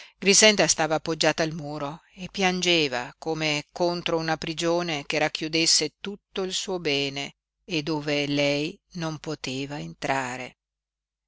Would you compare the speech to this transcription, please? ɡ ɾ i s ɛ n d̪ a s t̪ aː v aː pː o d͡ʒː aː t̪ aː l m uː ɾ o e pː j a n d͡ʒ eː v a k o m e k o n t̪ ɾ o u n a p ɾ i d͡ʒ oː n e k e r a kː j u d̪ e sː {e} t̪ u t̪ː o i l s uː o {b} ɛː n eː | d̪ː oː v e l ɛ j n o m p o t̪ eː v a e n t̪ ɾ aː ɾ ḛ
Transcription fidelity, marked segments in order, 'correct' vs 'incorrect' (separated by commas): correct, correct